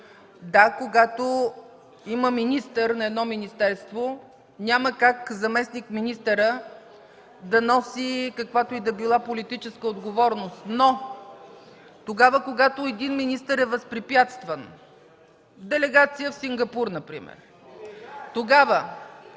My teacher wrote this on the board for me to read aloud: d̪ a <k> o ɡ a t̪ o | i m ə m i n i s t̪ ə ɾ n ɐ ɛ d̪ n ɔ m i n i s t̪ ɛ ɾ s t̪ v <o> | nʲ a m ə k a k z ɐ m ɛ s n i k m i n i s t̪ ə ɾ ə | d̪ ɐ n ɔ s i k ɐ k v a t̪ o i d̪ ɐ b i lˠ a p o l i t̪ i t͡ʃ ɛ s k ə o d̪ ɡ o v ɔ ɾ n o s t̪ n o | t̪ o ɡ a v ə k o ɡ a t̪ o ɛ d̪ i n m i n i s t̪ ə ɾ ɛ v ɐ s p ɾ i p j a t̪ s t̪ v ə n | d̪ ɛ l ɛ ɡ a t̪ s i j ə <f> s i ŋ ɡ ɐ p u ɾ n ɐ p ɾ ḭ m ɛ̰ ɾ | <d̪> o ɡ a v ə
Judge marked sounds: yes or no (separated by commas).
yes, yes, yes, no